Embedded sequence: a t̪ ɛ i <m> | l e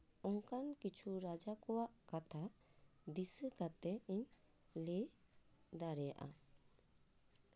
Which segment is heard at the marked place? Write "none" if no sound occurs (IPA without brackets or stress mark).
ɲ